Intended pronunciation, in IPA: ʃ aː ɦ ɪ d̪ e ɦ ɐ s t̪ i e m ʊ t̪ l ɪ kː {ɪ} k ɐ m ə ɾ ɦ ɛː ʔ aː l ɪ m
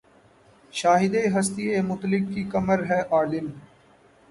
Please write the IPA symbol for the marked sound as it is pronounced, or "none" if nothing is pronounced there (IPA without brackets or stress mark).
i